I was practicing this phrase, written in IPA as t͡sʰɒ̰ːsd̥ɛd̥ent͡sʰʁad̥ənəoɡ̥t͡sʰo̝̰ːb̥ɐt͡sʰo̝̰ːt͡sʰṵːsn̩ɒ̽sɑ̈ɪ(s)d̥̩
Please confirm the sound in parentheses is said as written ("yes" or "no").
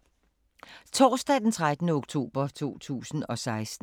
yes